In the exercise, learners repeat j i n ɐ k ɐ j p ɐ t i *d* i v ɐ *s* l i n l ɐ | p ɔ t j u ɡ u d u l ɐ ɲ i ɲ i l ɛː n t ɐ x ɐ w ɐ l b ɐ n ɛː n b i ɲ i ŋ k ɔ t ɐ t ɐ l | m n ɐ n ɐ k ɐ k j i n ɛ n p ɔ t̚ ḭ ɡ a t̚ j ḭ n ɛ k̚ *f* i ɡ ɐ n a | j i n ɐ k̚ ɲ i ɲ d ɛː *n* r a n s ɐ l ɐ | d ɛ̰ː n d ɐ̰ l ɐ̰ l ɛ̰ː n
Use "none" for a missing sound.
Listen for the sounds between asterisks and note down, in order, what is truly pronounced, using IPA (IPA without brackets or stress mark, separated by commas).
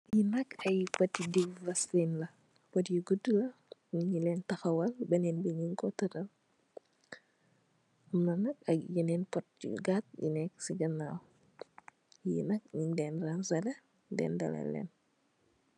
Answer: d, s, s, n